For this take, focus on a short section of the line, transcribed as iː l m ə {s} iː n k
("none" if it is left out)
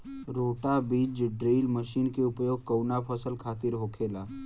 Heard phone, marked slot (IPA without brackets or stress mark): ʃ